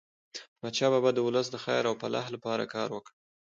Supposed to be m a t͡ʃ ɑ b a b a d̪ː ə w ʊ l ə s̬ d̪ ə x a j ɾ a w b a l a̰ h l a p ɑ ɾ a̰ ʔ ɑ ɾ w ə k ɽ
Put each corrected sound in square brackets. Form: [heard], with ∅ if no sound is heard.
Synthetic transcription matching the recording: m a t͡ʃ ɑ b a b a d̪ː ə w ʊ l ə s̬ d̪ ə x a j ɾ a w [p] a l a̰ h l a p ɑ ɾ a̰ [k] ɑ ɾ w ə k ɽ